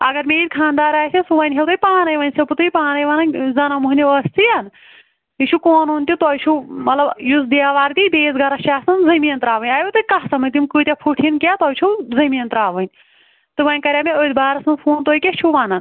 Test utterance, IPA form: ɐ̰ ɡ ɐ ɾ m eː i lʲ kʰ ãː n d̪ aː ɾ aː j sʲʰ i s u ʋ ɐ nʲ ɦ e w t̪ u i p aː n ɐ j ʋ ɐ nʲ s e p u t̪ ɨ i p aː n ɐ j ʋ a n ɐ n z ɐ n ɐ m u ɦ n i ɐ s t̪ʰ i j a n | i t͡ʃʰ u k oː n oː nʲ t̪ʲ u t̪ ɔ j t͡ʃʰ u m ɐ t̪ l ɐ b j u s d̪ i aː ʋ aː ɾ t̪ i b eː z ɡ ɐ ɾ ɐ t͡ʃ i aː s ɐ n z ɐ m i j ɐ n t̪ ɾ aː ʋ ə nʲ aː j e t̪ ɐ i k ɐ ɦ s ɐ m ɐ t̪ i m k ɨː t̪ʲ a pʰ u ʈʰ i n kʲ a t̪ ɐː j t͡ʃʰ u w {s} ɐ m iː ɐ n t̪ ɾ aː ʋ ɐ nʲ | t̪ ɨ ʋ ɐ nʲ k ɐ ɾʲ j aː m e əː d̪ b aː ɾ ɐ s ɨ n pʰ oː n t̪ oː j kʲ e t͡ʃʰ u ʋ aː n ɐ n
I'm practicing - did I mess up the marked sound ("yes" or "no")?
yes